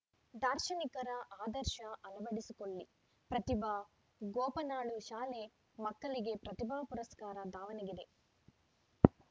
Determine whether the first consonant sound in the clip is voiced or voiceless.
voiced